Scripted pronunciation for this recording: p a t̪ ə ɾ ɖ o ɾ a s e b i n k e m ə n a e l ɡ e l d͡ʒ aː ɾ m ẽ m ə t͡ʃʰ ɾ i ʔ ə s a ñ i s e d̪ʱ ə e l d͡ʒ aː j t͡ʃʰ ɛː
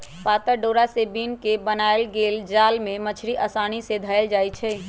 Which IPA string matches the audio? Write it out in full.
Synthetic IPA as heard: p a t̪ ə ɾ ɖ o ɾ a s e b i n k e b ə n a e l ɡ e l d͡ʒ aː l m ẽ m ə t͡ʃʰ ɾ i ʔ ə s a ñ i s e d̪ʱ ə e l d͡ʒ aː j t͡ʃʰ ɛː